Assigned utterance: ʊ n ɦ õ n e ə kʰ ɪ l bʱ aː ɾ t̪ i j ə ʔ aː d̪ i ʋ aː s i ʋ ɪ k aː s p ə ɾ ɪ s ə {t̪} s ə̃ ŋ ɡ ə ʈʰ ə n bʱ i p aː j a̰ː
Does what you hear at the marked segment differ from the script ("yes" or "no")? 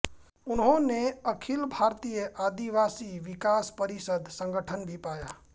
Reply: yes